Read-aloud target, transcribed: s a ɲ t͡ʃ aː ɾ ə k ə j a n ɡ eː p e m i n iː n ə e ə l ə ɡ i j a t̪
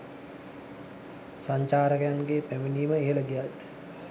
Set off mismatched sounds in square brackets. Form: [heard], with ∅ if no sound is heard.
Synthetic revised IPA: s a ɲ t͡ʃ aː ɾ ə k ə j a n ɡ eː p [æ] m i n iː [m] ə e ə l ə ɡ i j a t̪